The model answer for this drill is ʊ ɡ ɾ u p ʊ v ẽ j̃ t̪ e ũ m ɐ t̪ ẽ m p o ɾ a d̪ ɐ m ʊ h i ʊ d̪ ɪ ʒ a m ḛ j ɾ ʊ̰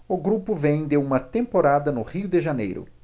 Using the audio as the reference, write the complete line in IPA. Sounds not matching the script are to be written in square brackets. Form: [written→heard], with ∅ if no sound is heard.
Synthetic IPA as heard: ʊ ɡ ɾ u p ʊ v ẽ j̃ [t̪→d̪] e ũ m ɐ t̪ ẽ m p o ɾ a d̪ ɐ [m→n] ʊ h i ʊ d̪ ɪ ʒ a [m→n] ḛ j ɾ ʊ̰